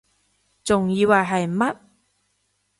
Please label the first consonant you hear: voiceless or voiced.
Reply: voiceless